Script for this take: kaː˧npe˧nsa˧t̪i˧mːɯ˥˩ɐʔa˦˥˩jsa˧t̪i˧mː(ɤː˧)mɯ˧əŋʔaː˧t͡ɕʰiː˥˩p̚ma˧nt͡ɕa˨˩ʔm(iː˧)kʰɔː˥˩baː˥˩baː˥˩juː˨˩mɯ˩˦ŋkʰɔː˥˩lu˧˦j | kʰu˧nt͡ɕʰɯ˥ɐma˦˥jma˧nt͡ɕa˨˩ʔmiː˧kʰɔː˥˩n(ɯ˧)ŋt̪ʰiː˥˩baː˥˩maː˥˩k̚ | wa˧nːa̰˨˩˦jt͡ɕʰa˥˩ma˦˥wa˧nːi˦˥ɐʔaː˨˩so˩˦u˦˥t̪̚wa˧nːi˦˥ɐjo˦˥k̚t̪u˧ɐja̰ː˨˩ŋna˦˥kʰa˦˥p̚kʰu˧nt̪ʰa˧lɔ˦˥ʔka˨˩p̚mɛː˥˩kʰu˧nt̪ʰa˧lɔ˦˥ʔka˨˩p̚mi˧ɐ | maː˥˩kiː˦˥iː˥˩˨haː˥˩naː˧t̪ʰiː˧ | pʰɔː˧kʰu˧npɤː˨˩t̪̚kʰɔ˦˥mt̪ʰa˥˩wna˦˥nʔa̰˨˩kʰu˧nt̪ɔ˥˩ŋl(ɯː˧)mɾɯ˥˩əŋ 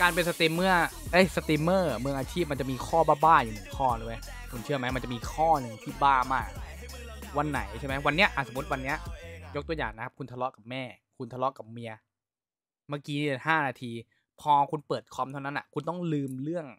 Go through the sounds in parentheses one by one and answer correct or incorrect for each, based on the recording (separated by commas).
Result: incorrect, correct, correct, correct